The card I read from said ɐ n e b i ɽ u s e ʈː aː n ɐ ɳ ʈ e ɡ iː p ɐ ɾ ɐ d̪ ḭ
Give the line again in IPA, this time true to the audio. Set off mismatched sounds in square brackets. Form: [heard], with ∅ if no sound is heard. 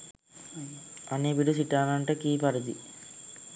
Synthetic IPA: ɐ n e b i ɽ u s [i] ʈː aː n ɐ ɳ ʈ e [k] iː p ɐ ɾ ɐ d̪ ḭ